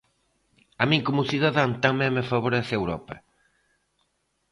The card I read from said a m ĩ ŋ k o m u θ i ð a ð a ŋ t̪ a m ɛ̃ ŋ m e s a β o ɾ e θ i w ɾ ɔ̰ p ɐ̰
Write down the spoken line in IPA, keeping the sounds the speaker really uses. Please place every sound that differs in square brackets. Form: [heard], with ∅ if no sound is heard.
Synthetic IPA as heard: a m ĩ ŋ k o m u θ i ð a ð a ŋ t̪ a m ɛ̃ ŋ m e [f] a β o ɾ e θ [e] w ɾ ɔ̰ p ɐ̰